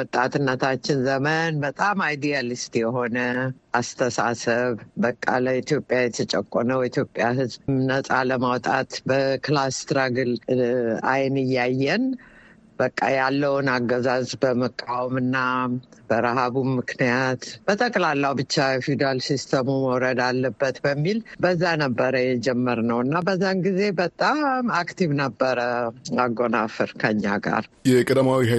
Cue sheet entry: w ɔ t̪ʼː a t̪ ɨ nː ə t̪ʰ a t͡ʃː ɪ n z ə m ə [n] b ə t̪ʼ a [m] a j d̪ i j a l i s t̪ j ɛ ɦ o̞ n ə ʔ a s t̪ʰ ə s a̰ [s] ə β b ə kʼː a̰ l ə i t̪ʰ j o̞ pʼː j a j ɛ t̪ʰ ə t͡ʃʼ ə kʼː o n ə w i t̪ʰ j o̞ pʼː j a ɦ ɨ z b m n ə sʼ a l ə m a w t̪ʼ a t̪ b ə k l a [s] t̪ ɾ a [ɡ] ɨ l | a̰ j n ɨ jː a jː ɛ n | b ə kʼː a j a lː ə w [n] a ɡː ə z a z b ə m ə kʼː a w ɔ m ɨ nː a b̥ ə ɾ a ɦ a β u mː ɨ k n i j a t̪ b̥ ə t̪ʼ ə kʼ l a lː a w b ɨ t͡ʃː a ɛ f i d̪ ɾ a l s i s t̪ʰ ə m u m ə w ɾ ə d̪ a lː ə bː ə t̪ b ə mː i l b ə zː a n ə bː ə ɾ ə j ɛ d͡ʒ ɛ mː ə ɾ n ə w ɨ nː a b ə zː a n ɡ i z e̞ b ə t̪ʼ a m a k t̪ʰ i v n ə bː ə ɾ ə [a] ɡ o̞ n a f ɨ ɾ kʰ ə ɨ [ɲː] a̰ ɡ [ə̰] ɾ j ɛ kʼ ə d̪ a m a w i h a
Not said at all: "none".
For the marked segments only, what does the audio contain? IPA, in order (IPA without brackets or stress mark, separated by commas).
n, m, s, s, ɡ, n, a, ɲː, a̰